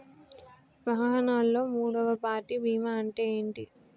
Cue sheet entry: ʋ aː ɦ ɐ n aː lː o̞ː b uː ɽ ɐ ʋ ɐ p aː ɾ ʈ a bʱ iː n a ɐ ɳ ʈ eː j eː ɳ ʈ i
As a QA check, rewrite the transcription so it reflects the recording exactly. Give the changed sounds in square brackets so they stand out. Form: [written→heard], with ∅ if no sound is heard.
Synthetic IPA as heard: ʋ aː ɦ ɐ n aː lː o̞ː [b→m] uː ɽ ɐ ʋ ɐ p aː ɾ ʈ [a→i] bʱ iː [n→m] a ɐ ɳ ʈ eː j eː ɳ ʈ i